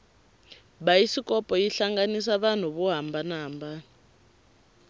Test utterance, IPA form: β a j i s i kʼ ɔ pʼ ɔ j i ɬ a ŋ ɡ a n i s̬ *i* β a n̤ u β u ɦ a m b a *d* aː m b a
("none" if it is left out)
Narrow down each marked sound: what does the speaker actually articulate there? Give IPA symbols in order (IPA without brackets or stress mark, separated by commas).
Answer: a, n